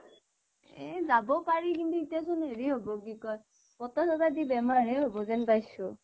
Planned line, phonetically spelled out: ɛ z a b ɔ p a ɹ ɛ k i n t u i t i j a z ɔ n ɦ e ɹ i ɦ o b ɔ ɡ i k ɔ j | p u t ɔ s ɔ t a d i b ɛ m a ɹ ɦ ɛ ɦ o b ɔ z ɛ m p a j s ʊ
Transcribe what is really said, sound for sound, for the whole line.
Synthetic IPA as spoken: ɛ z a b ɔ p a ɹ i k i n t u i t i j a s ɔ n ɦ e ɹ i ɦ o b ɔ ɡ i k ɔ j | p ɔ t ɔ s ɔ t a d i b ɛ m a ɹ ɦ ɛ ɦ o b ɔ z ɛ n p a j s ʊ